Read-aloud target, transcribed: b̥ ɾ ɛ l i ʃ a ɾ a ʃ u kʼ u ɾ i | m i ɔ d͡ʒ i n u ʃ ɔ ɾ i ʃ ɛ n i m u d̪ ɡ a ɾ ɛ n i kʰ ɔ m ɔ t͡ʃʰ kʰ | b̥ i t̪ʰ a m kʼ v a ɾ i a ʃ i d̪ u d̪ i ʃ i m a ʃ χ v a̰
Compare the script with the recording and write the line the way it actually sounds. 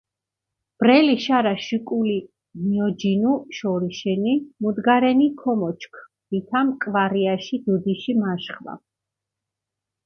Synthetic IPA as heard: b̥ ɾ ɛ l i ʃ a ɾ a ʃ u kʼ u l i | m i ɔ d͡ʒ i n u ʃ ɔ ɾ i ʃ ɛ n i m u d̪ ɡ a ɾ ɛ n i kʰ ɔ m ɔ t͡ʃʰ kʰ | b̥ i t̪ʰ a m kʼ v a ɾ i a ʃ i d̪ u d̪ i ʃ i m a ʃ χ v a̰